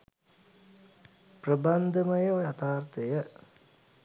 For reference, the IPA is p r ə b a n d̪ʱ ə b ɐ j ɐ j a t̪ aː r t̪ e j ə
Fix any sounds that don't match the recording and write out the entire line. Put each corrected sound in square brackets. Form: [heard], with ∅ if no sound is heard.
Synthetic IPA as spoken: p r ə b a n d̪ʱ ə [m] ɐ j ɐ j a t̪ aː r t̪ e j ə